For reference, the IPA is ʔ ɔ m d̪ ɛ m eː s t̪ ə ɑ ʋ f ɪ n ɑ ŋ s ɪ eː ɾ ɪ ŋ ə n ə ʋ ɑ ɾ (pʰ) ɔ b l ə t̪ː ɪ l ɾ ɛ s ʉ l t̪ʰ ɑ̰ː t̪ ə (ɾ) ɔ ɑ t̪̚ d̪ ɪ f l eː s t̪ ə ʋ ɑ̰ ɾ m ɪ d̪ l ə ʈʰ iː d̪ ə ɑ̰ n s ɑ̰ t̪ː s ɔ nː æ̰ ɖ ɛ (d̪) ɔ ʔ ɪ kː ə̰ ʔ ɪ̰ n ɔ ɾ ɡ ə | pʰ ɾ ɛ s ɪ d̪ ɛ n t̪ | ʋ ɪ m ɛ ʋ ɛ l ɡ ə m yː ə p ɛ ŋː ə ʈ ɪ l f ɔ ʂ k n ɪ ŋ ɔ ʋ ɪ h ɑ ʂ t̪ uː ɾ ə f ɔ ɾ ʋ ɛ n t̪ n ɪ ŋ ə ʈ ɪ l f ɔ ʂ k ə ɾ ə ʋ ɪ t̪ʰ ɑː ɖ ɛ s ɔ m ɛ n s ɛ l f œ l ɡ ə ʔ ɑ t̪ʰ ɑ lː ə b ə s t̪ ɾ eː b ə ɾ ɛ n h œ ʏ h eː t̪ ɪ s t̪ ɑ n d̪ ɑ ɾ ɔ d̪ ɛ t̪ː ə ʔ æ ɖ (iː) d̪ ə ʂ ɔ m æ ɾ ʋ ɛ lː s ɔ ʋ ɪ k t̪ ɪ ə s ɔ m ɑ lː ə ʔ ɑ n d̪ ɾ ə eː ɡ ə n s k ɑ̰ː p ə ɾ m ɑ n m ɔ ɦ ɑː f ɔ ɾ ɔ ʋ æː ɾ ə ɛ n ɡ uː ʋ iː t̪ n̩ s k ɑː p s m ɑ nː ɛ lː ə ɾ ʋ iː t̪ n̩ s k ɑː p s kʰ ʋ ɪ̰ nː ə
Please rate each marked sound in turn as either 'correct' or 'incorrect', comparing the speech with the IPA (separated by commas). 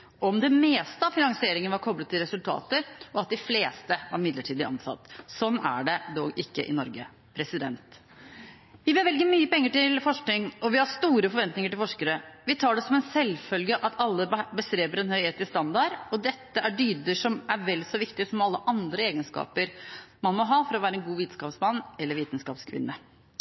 incorrect, correct, correct, incorrect